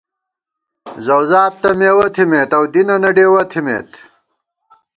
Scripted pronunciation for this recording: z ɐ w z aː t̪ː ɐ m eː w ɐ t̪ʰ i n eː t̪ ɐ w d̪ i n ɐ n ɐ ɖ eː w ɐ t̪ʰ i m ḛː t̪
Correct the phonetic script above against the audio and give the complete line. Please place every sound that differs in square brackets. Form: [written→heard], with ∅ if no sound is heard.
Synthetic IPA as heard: z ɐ w z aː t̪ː ɐ m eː w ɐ t̪ʰ i [n→m] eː t̪ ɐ w d̪ i n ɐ n ɐ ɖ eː w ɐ t̪ʰ i m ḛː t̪